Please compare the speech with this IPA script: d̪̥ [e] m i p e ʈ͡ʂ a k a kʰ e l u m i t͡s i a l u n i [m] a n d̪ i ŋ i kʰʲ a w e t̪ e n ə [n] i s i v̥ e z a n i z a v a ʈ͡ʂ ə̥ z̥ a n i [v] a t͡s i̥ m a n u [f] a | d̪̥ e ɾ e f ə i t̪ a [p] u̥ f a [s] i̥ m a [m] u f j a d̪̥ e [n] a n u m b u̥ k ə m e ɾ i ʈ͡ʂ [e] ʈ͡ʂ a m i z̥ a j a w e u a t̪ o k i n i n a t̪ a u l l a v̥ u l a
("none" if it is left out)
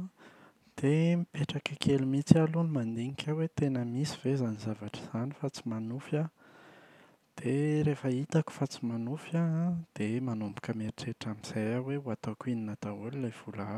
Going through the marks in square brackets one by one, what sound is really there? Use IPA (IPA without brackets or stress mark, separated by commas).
e, m, m, f, f, k, t͡s, n, m, e